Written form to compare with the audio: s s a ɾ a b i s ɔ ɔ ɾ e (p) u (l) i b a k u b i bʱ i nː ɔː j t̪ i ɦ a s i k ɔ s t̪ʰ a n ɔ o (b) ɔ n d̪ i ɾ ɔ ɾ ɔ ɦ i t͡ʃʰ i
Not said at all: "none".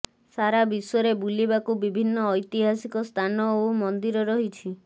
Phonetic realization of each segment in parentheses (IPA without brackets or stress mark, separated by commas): b, l, m